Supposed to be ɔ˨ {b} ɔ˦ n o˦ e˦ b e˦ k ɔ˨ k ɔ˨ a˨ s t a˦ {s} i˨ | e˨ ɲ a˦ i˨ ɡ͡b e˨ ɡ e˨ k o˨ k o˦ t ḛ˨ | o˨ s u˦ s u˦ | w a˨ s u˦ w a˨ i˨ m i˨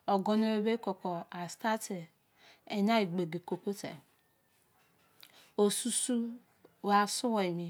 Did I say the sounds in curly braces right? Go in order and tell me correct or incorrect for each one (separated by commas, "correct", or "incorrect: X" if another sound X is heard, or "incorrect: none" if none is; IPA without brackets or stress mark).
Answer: incorrect: ɡ, incorrect: t